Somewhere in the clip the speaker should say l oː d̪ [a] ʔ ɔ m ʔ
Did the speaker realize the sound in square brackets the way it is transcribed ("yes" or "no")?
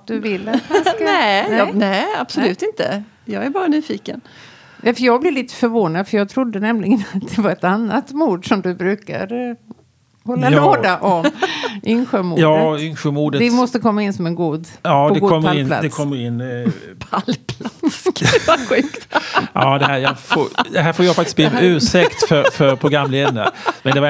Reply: yes